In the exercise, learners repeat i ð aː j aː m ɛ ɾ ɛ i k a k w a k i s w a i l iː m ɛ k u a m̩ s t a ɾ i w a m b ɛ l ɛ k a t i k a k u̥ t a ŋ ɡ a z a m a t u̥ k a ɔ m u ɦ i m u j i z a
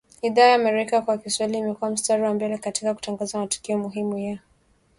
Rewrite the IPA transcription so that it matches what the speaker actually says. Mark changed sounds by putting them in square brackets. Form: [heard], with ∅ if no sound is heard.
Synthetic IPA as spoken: i ð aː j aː m ɛ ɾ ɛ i k a k w a k i s w a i l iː m ɛ k u a m̩ s t a ɾ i w a m b ɛ l ɛ k a t i k a k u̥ t a ŋ ɡ a z a m a t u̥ k [i] ɔ m u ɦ i m u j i [∅] a